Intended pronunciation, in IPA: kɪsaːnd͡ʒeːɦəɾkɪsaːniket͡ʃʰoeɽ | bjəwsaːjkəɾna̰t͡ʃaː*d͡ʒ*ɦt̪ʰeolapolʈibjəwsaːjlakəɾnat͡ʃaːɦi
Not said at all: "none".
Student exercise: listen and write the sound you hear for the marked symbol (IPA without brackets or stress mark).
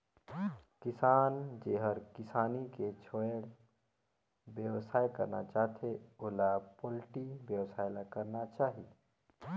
none